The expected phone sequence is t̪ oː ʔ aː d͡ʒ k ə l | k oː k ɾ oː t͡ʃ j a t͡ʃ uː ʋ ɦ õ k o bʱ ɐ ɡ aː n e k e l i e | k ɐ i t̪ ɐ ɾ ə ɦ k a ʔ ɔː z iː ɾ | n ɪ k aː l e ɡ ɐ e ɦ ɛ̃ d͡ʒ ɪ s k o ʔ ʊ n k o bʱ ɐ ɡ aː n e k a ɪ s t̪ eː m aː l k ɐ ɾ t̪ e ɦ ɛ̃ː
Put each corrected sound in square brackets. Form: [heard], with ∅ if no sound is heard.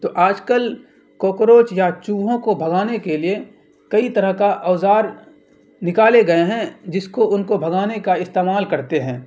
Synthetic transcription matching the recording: t̪ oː ʔ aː d͡ʒ k ə l | k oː k ɾ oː t͡ʃ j a t͡ʃ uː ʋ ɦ õ k o bʱ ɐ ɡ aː n e k e l i e | k ɐ i t̪ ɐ ɾ ə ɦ k a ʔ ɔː z [aː] ɾ | n ɪ k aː l e ɡ ɐ e ɦ ɛ̃ d͡ʒ ɪ s k o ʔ ʊ n k o bʱ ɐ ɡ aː n e k a ɪ s t̪ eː m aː l k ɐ ɾ t̪ e ɦ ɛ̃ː